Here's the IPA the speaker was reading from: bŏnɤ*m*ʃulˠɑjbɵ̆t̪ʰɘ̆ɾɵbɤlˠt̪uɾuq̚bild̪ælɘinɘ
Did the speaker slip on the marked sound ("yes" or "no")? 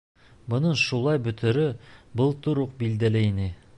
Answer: yes